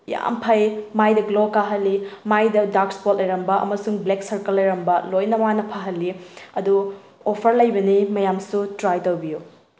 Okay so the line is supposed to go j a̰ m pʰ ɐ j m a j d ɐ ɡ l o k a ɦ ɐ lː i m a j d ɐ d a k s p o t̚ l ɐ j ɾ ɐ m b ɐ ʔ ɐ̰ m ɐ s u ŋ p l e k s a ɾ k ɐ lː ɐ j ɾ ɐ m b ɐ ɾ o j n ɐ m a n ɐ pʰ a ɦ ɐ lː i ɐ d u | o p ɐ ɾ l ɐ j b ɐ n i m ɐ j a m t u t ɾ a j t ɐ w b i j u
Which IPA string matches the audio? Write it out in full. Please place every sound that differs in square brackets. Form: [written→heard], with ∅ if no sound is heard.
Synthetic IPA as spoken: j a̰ m pʰ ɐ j m a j d ɐ ɡ l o k a ɦ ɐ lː i m a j d ɐ d a k s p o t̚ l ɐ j ɾ ɐ m b ɐ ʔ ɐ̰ m ɐ s u ŋ [p→b] l e k s [a→ɐ] ɾ k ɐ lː ɐ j ɾ ɐ m b ɐ [ɾ→l] o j n ɐ m a n ɐ pʰ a ɦ ɐ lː i ɐ d u | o [p→pʰ] ɐ ɾ l ɐ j b ɐ n i m ɐ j a m [t→s] u t ɾ a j t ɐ w b i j u